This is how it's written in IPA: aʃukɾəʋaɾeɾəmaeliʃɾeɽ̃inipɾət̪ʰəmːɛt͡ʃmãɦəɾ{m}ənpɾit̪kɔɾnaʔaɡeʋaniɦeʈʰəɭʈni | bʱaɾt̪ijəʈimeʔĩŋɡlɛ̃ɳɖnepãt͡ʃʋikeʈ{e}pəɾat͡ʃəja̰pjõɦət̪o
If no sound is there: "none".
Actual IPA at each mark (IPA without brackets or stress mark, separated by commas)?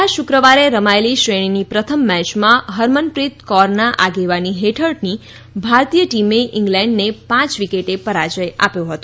m, e